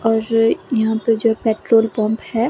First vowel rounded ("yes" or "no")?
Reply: yes